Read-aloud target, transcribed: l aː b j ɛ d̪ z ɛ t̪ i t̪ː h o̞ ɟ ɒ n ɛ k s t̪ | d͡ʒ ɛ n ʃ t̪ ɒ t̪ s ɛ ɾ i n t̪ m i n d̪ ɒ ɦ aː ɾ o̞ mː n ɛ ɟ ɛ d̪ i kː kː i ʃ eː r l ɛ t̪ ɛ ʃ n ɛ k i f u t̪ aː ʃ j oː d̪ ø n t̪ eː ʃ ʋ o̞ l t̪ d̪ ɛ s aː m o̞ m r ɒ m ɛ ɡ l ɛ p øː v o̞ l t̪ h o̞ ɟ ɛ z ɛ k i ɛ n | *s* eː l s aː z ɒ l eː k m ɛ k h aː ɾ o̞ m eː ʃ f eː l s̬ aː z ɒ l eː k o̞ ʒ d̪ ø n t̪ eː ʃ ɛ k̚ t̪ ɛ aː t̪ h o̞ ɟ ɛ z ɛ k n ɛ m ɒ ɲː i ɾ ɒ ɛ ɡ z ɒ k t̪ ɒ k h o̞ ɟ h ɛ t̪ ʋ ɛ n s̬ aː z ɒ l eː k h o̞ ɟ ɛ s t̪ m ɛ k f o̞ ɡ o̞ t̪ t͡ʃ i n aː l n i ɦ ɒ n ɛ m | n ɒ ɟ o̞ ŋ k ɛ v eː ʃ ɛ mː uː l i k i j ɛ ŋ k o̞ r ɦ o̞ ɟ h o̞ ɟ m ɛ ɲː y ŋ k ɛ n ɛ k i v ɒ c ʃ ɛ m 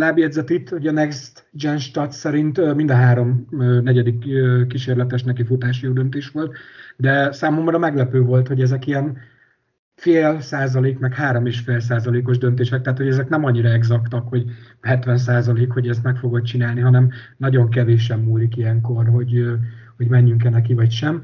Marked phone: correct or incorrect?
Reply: incorrect